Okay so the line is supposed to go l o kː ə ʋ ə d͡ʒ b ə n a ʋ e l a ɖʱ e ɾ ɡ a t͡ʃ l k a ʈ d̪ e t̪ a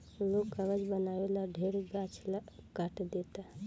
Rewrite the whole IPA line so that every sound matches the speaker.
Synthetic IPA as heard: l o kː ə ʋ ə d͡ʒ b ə n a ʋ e l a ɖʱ e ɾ ɡ a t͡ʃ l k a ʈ d̪ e t̪ a